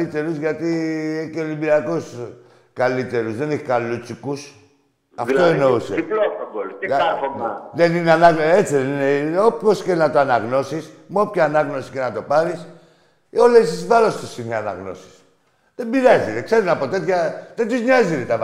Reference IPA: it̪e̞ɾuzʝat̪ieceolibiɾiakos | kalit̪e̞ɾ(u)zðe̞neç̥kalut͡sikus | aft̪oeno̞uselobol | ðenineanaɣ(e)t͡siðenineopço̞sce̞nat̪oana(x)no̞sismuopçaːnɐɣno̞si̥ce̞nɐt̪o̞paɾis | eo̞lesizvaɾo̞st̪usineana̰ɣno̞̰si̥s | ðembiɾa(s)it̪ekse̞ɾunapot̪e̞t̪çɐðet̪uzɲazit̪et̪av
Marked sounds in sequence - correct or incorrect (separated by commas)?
correct, correct, incorrect, incorrect